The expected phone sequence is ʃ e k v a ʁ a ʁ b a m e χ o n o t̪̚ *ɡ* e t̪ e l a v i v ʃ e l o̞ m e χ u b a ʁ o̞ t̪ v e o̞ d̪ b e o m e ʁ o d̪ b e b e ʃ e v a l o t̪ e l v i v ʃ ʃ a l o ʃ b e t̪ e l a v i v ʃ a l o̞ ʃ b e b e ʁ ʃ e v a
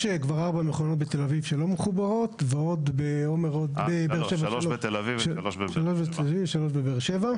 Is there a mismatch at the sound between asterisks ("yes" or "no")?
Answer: yes